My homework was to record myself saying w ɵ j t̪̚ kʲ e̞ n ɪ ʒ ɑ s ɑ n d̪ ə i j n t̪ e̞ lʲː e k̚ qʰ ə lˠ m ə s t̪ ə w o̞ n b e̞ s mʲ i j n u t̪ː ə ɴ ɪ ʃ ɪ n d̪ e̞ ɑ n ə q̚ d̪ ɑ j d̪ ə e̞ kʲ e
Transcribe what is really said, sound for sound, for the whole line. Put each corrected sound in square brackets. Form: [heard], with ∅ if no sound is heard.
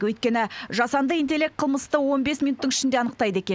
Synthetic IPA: w ɵ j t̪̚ kʲ e̞ n ɪ ʒ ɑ s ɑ n d̪ ə i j n t̪ e̞ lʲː e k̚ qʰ ə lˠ m ə s t̪ ə w o̞ n b e̞ s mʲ i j n u t̪ː ə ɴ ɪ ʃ ɪ n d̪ e̞ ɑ n ə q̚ [t̪] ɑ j d̪ ə e̞ kʲ e